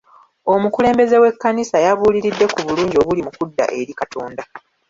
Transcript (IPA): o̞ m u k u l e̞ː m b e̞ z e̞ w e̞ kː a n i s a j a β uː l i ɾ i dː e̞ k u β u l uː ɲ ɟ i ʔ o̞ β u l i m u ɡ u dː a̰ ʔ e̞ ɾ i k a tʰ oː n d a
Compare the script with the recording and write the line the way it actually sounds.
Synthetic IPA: o̞ m u k u l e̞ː m b e̞ z e̞ w e̞ kː a n i s a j a β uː l i ɾ i dː e̞ k u β u l uː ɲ ɟ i o̞ β u l i m u k u dː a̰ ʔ e̞ ɾ i k a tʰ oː n d a